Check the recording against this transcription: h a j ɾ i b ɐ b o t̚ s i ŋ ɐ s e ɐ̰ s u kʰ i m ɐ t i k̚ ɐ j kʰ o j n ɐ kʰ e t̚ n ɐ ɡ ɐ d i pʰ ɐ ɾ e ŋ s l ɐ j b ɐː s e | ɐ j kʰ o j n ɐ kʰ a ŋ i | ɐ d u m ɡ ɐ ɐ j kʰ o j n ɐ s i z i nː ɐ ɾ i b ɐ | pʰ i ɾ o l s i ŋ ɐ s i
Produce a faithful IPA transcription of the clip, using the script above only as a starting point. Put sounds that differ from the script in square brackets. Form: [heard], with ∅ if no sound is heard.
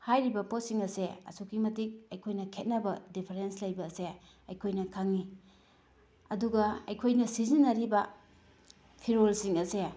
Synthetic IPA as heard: h a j ɾ i b ɐ [p] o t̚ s i ŋ ɐ s e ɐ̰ s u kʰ i m ɐ t i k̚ ɐ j kʰ o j n ɐ kʰ e t̚ n ɐ [b] ɐ d i pʰ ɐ ɾ e [n] s l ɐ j b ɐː s e | ɐ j kʰ o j n ɐ kʰ a ŋ i | ɐ d u [∅] ɡ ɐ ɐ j kʰ o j n ɐ s i z i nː ɐ ɾ i b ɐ | pʰ i ɾ o l s i ŋ ɐ s [e]